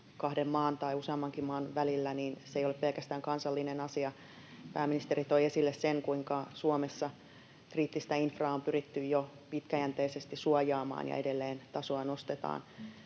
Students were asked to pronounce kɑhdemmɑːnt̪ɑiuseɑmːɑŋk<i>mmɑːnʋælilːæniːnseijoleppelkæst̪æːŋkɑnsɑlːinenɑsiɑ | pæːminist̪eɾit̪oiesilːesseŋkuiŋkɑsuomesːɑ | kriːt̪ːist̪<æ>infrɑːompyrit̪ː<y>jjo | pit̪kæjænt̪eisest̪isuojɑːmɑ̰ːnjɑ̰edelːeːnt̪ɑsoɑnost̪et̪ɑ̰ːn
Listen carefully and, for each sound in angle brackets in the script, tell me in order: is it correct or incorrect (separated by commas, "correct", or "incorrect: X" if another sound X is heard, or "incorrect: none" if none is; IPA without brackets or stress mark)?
correct, correct, correct